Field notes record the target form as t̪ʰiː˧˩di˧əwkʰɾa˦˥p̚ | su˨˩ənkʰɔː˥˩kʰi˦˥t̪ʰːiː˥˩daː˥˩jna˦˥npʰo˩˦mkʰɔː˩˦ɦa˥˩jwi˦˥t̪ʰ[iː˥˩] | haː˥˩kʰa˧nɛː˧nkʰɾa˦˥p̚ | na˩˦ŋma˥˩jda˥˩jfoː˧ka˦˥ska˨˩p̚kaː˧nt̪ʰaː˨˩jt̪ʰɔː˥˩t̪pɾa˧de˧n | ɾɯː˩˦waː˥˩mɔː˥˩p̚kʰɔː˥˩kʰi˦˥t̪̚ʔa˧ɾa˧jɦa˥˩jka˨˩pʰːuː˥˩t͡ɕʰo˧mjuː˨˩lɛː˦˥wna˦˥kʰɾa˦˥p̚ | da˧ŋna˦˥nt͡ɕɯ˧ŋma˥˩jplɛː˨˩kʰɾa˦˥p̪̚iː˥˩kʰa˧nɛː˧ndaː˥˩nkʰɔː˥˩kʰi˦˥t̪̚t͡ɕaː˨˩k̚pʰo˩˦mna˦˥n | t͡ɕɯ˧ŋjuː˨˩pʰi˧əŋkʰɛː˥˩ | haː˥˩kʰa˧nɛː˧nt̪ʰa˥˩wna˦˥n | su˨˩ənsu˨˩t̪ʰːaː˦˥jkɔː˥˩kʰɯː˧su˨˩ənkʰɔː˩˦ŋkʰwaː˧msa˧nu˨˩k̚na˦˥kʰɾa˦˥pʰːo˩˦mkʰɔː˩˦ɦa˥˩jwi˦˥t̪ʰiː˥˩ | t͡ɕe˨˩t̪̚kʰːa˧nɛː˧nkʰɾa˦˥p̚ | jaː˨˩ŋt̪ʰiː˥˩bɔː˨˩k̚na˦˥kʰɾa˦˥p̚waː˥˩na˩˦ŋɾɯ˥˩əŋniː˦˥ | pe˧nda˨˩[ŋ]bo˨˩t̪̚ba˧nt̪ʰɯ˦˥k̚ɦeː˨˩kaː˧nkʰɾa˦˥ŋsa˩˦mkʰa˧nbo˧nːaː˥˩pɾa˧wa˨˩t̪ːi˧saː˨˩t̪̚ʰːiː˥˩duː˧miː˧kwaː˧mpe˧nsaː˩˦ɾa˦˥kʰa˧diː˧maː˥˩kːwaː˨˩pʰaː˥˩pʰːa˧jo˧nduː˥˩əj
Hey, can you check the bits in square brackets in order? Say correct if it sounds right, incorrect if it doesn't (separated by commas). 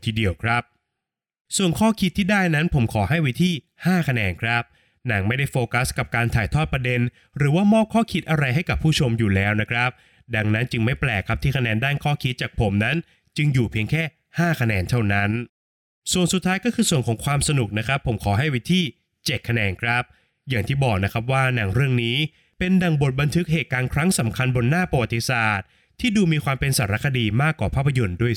correct, correct